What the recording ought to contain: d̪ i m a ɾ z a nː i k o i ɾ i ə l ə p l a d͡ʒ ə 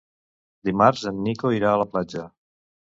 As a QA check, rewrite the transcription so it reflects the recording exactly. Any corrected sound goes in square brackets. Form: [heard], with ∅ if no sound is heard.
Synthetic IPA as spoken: d̪ i m a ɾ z [ə] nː i k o i ɾ [a] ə l ə p l a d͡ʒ ə